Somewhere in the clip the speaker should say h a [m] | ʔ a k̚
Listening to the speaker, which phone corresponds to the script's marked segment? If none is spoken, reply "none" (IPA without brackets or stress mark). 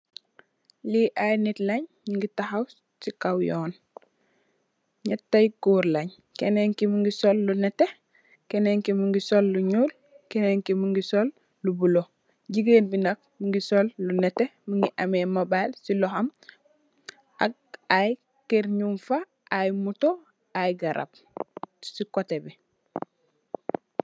m